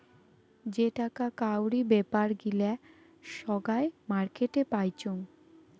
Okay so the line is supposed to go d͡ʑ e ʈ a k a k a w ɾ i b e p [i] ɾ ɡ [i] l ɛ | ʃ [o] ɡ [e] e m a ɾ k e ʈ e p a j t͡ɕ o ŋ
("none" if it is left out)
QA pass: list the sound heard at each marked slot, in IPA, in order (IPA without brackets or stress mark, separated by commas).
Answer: a, i, ɔ, a